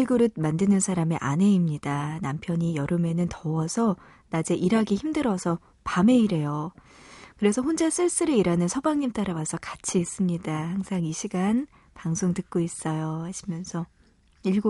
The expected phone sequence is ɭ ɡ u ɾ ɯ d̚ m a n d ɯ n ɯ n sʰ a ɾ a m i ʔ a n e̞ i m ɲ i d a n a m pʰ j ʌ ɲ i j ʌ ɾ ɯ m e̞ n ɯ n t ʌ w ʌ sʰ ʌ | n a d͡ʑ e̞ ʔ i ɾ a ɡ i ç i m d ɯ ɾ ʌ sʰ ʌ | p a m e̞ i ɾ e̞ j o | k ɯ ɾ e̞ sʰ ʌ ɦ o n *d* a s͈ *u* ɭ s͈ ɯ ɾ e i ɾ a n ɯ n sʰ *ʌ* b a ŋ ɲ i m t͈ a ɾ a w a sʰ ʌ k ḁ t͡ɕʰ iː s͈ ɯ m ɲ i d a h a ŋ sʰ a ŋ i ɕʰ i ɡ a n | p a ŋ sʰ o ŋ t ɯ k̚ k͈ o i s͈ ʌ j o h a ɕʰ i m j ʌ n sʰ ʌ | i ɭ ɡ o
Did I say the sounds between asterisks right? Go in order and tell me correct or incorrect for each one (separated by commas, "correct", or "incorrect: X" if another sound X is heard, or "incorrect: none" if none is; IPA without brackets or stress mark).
incorrect: d͡ʑ, incorrect: ɯ, correct